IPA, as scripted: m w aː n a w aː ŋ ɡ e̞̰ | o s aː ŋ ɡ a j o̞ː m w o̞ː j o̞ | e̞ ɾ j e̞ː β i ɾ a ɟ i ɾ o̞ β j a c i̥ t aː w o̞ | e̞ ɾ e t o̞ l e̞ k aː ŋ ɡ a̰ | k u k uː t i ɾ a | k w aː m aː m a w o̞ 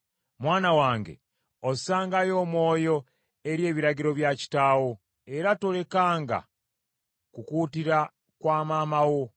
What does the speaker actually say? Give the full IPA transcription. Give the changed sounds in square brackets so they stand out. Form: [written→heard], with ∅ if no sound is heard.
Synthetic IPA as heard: m w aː n a w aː ŋ ɡ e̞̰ | o s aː ŋ ɡ a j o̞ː m w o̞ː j o̞ | e̞ ɾ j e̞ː β i ɾ a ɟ i ɾ o̞ β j a c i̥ t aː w o̞ | e̞ ɾ [e→a] t o̞ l e̞ k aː ŋ ɡ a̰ | k u k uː t i ɾ a | k w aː m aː m a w o̞